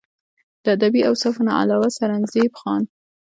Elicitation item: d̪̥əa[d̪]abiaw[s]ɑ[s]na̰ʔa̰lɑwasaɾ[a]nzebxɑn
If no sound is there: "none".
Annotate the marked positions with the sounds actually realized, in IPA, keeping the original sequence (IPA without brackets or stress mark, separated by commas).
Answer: d̪, s, f, a